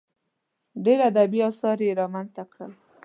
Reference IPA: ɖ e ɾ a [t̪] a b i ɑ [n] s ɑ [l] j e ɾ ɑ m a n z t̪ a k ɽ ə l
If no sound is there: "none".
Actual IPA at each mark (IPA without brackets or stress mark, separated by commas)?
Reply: d̪, none, ɾ